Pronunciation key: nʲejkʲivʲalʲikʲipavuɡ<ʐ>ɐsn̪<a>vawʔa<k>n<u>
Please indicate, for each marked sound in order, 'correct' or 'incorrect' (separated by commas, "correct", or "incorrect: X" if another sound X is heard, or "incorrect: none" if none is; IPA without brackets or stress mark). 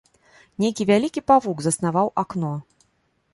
incorrect: z, correct, correct, incorrect: ɔ